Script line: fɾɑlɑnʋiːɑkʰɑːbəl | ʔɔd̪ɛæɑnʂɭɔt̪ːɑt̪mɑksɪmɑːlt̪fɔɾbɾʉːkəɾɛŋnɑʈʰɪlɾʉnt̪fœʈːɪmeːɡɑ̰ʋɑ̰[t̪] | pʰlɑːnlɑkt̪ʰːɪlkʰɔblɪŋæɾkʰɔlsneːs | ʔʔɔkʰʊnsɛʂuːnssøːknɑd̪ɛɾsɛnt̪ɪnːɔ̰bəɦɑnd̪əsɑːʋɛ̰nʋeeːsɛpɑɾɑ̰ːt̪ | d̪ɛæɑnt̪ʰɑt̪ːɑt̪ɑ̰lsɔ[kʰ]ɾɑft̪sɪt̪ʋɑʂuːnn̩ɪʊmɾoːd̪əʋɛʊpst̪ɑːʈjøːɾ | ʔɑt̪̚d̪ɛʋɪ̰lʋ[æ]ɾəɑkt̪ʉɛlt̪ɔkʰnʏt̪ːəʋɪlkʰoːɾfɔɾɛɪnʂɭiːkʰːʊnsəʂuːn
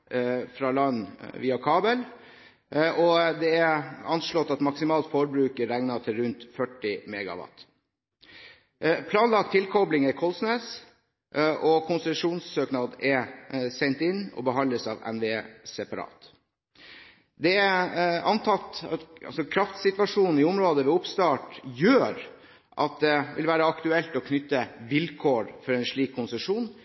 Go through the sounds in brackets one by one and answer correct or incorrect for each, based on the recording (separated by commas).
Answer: correct, correct, incorrect